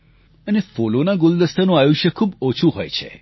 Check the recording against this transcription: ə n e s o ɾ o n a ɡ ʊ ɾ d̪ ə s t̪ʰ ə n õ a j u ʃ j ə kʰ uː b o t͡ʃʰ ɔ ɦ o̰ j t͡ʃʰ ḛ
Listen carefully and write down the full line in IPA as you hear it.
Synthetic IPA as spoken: ə n e f o l o n a ɡ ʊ l d̪ ə s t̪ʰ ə n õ a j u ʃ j ə kʰ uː b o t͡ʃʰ u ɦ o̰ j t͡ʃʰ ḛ

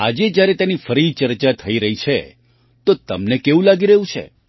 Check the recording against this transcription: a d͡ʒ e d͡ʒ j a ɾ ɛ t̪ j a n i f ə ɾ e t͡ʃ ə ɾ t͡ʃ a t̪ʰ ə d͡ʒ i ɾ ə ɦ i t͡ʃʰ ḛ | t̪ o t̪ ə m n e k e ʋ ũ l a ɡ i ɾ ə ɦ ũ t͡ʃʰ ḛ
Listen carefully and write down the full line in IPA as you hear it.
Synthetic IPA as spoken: a d͡ʒ e d͡ʒ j a ɾ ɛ t̪ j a n i f ə ɾ i t͡ʃ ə ɾ t͡ʃ a t̪ʰ ə i ɾ ə ɦ i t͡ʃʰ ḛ | t̪ o t̪ ə m n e k e ʋ ũ l a ɡ i ɾ ə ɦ ũ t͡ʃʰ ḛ

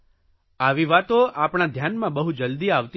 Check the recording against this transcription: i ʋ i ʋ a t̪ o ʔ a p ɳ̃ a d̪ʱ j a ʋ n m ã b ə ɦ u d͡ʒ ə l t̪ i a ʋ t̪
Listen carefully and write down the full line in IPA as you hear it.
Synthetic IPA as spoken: a ʋ i ʋ a t̪ o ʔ a p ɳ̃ a d̪ʱ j a n m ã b ə ɦ u d͡ʒ ə l d̪ i a ʋ t̪

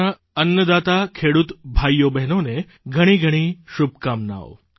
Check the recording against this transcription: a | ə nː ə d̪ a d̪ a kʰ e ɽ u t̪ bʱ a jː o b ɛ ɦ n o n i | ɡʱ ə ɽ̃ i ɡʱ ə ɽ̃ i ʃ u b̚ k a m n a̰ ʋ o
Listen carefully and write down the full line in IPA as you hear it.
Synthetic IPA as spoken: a | ə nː ə d̪ a t̪ a kʰ e ɽ u t̪ bʱ a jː o b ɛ ɦ n o n e | ɡʱ ə ɽ̃ i ɡʱ ə ɽ̃ i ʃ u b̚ k a m n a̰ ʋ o

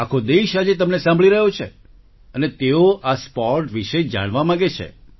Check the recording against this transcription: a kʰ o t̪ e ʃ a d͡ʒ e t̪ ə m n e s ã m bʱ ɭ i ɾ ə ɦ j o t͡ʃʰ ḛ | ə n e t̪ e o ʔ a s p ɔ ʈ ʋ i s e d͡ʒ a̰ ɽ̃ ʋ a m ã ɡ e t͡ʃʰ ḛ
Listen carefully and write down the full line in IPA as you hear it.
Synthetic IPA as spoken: a kʰ o d̪ e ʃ a d͡ʒ e t̪ ə m n e s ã m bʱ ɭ i ɾ ə ɦ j o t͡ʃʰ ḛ | ə n e t̪ e o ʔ a s p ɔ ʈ ʋ i ʃ e d͡ʒ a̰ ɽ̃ ʋ a m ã ɡ e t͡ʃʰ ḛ

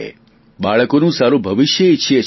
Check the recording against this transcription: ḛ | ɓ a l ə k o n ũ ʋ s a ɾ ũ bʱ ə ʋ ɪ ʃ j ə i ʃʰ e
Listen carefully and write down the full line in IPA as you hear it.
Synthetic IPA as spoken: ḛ | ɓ a ɭ ə k o n ũ s a ɾ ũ bʱ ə ʋ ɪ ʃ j ə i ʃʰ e

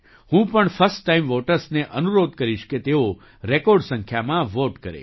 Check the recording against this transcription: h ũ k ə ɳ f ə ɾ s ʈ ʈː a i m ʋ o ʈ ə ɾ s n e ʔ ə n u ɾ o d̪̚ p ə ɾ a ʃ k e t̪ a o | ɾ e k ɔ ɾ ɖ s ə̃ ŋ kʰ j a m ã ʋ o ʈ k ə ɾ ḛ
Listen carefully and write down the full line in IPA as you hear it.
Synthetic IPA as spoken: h ũ p ə ɳ f ə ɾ s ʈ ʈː a i m ʋ o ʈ ə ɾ s n e ʔ ə n u ɾ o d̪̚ k ə ɾ i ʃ k e t̪ e o | ɾ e k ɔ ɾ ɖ s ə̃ ŋ kʰ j a m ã ʋ o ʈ k ə ɾ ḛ

